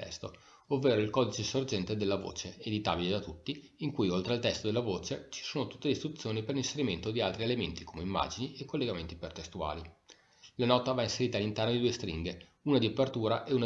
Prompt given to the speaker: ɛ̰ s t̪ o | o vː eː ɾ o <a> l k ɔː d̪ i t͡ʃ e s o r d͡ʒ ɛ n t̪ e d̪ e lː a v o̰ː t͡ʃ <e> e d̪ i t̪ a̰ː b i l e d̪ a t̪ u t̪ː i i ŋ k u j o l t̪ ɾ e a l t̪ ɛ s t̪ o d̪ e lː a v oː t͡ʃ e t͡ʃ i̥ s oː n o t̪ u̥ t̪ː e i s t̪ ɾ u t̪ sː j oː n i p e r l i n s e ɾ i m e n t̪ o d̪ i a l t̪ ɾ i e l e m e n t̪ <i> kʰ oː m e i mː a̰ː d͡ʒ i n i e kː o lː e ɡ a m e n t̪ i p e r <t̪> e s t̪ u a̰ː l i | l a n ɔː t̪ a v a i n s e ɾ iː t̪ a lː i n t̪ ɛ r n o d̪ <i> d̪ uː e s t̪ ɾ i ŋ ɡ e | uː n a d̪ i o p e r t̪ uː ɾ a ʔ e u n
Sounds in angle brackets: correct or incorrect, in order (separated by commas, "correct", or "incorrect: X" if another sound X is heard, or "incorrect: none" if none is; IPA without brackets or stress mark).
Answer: incorrect: i, correct, correct, correct, correct